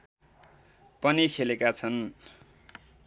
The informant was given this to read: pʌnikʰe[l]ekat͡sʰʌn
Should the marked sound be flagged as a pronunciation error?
no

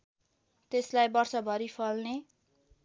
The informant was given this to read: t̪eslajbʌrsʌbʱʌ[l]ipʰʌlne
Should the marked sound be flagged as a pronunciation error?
yes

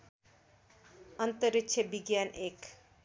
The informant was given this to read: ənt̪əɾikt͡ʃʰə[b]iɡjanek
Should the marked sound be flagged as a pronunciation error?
no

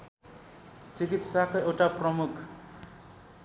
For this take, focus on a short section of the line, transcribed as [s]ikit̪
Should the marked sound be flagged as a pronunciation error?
yes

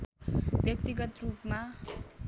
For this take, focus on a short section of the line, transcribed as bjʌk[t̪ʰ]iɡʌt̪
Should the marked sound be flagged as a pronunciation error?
yes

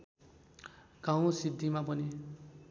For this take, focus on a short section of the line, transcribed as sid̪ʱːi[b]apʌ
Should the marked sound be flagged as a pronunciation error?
yes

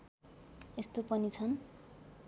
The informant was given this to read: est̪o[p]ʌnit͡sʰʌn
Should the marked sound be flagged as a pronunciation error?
no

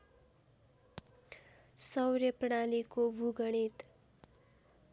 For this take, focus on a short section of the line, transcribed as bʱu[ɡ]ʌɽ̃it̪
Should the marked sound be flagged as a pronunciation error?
no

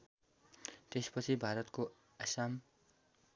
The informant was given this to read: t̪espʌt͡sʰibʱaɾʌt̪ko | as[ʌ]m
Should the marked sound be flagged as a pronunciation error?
yes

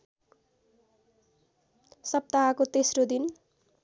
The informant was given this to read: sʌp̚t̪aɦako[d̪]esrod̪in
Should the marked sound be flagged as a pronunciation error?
yes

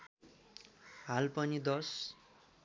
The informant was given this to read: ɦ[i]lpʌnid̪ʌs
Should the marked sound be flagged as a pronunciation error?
yes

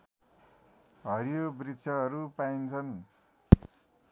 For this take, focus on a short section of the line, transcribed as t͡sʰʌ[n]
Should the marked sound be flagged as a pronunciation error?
no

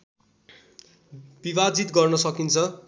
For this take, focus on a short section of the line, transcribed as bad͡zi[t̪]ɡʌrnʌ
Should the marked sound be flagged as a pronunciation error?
no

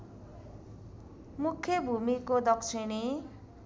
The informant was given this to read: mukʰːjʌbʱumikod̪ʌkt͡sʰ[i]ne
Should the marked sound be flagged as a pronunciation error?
no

